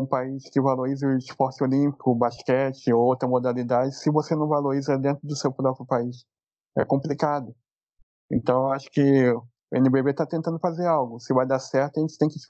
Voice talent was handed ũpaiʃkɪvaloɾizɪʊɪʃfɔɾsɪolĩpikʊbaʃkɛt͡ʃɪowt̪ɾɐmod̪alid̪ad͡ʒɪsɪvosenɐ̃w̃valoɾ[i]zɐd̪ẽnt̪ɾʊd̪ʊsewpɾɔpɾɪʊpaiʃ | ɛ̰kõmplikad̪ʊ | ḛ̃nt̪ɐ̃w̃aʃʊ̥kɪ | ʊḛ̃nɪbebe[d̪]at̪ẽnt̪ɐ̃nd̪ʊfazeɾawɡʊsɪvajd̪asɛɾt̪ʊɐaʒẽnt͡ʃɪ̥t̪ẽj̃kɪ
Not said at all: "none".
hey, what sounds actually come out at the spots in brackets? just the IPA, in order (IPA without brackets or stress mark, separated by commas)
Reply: i, t̪